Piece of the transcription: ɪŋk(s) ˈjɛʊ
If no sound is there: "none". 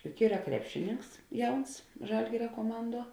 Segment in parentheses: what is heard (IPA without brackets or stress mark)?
s